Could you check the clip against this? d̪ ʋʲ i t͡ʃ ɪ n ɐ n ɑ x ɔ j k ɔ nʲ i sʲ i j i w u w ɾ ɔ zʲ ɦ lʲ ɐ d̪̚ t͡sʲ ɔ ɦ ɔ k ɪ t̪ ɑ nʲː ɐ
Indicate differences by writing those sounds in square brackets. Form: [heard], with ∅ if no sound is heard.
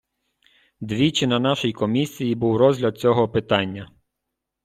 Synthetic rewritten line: d̪ ʋʲ i t͡ʃ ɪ n ɐ n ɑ [ʃ] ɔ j k ɔ [mʲ] i sʲ i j i [b] u w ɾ ɔ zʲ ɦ lʲ ɐ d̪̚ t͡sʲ ɔ ɦ ɔ [p] ɪ t̪ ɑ nʲː ɐ

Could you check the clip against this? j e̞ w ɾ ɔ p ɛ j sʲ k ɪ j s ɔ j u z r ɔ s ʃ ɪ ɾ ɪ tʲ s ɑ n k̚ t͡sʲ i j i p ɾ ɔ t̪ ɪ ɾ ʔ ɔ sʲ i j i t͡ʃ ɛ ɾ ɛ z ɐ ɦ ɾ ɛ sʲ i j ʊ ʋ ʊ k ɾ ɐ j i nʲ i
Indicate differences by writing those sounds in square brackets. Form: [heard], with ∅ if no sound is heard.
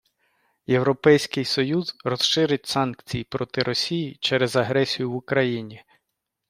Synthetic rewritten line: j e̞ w ɾ ɔ p ɛ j sʲ k ɪ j s ɔ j u z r ɔ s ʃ ɪ ɾ ɪ tʲ s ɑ n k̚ t͡sʲ i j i p ɾ ɔ t̪ ɪ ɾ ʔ ɔ sʲ i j i t͡ʃ ɛ ɾ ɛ z ɐ ɦ ɾ ɛ sʲ i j ʊ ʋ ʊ k ɾ ɐ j i nʲ i

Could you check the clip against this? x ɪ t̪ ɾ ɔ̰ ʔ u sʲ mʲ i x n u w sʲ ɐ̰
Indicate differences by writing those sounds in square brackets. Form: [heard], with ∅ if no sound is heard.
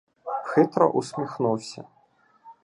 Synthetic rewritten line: x ɪ t̪ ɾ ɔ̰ ʔ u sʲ mʲ i x n u w sʲ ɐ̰

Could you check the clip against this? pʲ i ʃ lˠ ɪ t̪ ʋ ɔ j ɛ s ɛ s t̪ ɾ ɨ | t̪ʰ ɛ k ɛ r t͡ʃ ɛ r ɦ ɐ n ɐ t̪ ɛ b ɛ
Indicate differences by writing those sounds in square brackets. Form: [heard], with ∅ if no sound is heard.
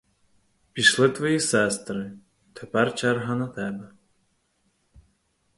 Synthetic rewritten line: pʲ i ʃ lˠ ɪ t̪ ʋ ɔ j [i] s ɛ s t̪ ɾ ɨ | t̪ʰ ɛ [p] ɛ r t͡ʃ ɛ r ɦ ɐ n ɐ t̪ ɛ b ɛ

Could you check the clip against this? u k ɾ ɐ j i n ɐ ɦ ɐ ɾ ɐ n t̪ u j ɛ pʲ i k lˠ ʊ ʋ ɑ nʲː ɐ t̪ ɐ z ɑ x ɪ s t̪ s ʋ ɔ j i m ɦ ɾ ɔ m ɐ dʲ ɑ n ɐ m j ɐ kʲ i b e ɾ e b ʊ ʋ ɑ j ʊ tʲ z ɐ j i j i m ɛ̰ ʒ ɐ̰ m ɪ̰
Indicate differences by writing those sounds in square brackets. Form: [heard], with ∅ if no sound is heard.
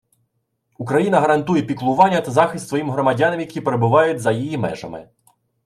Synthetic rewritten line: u k ɾ ɐ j i n ɐ ɦ ɐ ɾ ɐ n t̪ u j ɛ pʲ i k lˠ ʊ ʋ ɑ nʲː ɐ t̪ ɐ z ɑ x ɪ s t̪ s ʋ ɔ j i m ɦ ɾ ɔ m ɐ dʲ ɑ n ɐ m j ɐ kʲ i [p] e ɾ e b ʊ ʋ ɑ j ʊ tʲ z ɐ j i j i m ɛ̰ ʒ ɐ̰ m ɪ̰

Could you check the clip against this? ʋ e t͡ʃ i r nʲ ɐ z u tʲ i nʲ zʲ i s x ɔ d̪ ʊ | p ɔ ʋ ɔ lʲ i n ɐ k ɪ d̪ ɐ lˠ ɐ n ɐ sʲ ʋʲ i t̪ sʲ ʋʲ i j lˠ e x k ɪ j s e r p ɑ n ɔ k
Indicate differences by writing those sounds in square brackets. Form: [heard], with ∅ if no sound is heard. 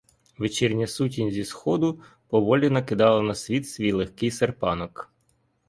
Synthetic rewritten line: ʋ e t͡ʃ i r nʲ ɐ [s] u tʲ i nʲ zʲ i s x ɔ d̪ ʊ | p ɔ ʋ ɔ lʲ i n ɐ k ɪ d̪ [ɑ] lˠ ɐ n ɐ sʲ ʋʲ i t̪ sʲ ʋʲ i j lˠ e x k ɪ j s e r p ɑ n ɔ k

